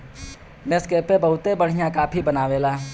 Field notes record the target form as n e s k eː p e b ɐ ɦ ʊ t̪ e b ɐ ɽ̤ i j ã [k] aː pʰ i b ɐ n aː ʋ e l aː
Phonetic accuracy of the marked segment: correct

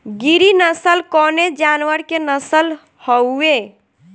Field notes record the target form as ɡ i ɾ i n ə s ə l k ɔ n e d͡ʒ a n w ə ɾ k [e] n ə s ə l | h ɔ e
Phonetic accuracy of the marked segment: correct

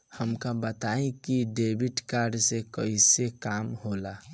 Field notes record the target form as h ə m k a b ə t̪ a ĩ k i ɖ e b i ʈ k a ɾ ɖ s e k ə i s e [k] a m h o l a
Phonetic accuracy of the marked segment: correct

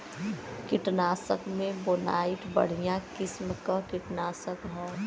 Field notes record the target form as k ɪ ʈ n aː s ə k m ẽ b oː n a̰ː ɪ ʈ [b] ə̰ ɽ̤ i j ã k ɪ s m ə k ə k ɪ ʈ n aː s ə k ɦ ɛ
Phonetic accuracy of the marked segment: correct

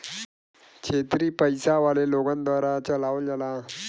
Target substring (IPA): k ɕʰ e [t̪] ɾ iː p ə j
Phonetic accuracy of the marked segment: correct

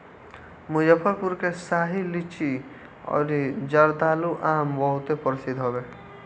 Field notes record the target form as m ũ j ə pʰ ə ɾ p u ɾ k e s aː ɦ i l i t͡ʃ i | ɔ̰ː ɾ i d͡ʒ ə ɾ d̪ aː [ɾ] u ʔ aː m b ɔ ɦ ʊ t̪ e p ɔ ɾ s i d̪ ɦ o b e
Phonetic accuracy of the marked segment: incorrect: l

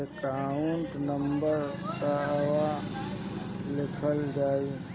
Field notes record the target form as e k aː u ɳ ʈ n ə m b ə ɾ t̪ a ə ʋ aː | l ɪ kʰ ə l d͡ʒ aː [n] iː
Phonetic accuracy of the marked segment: incorrect: none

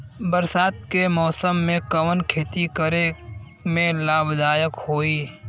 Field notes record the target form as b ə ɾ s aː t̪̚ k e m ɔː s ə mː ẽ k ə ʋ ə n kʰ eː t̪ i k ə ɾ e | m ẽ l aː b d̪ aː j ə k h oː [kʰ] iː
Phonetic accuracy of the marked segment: incorrect: none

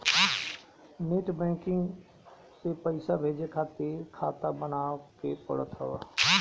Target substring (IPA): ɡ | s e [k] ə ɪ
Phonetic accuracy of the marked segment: incorrect: p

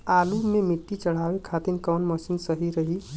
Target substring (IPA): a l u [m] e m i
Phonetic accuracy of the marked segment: correct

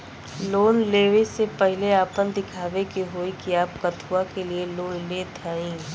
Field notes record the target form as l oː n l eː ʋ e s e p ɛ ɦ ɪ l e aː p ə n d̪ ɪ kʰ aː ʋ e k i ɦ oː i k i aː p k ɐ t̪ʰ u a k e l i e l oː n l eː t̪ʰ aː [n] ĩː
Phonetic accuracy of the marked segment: incorrect: none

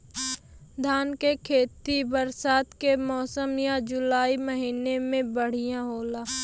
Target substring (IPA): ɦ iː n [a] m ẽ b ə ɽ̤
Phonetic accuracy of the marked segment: incorrect: e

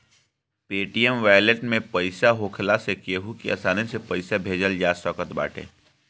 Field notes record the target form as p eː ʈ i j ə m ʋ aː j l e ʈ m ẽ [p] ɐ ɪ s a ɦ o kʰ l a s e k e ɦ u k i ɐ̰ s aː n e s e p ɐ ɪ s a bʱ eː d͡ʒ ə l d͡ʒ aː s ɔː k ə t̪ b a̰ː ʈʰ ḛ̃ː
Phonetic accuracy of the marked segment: correct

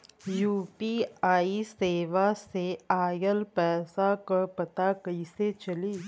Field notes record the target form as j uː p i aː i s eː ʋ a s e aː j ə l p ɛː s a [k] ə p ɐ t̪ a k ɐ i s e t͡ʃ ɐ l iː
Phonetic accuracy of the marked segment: correct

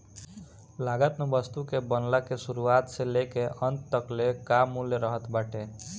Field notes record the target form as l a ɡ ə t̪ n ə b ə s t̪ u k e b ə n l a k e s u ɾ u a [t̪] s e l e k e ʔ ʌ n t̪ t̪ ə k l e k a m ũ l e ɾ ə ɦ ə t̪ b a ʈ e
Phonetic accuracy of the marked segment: correct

